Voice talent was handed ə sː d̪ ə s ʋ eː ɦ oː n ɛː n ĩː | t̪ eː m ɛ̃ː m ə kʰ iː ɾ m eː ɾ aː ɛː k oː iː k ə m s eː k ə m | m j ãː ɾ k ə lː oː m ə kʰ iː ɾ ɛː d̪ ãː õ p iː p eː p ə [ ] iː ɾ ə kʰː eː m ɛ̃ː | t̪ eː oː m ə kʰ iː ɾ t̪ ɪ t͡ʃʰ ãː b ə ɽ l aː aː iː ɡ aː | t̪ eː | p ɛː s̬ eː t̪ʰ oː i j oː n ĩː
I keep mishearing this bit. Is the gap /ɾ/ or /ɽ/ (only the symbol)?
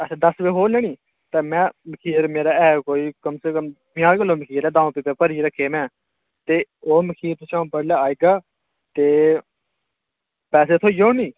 ɾ